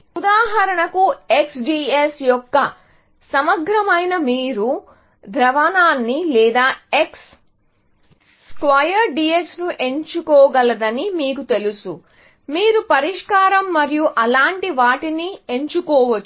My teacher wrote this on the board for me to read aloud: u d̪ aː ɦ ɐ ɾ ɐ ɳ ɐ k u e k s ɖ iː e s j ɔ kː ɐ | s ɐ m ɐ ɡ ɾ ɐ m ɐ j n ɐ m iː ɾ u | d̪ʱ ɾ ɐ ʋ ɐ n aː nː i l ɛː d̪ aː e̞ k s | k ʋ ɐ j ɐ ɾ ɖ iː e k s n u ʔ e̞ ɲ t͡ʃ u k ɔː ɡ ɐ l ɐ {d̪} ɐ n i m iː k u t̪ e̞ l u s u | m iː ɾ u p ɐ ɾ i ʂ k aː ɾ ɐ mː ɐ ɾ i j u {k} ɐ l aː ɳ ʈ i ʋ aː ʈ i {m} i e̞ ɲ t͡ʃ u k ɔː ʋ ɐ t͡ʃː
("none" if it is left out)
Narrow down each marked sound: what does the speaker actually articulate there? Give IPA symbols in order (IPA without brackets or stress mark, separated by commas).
d̪, ʔ, n